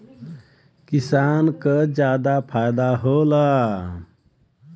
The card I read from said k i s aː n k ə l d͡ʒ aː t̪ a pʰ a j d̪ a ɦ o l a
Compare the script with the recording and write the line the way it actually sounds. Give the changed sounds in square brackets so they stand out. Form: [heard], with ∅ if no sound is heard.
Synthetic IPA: k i s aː n k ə [∅] d͡ʒ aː [d̪] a pʰ a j d̪ a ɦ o l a